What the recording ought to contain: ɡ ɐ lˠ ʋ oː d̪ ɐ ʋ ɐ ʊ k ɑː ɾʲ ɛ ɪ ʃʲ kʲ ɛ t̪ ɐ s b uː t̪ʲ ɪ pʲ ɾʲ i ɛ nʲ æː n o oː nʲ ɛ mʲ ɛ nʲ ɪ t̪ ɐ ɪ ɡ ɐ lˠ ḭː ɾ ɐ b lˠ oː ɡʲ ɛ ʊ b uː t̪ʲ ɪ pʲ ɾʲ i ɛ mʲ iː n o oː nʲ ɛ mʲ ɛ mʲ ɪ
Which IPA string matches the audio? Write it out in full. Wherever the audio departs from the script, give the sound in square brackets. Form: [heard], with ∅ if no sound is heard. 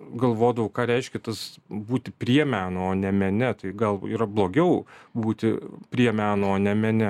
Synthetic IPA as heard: ɡ ɐ lˠ ʋ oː d̪ ɐ ʋ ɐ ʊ k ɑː ɾʲ ɛ ɪ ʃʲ kʲ ɛ t̪ ɐ s b uː t̪ʲ ɪ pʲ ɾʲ i ɛ [mʲ] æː n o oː nʲ ɛ mʲ ɛ nʲ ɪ t̪ ɐ ɪ ɡ ɐ lˠ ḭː ɾ ɐ b lˠ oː ɡʲ ɛ ʊ b uː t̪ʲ ɪ pʲ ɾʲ i ɛ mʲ [æː] n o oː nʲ ɛ mʲ ɛ [nʲ] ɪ